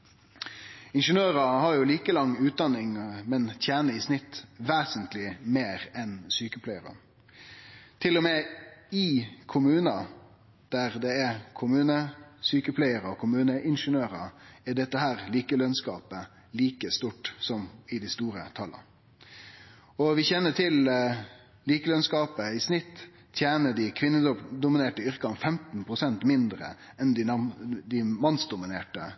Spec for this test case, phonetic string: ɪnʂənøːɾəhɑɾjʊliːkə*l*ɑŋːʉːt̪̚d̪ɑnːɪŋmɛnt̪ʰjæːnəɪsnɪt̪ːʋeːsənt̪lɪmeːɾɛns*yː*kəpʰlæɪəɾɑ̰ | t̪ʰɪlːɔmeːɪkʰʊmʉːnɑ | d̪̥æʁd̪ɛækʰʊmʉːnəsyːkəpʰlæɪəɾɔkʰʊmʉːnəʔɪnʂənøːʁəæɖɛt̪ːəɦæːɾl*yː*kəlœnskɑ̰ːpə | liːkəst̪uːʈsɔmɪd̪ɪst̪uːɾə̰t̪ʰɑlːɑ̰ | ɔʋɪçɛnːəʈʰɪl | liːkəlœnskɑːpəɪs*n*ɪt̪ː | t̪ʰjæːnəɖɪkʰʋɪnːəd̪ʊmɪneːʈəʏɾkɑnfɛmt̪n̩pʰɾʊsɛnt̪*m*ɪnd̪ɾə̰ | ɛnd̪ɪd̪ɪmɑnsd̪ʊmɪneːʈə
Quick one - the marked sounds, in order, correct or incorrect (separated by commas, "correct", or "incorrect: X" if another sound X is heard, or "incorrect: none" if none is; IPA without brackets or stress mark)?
correct, correct, incorrect: iː, correct, correct